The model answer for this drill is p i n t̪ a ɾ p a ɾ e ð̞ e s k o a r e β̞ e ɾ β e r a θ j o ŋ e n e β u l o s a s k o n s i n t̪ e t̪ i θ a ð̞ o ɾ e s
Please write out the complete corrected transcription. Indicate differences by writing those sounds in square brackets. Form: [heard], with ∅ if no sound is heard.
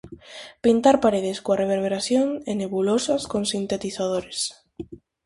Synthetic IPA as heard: p i n t̪ a ɾ p a ɾ e ð̞ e s k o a r e β̞ e ɾ β e [ɾ] a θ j o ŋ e n e β u l o s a s k o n s i n t̪ e t̪ i θ a ð̞ o ɾ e s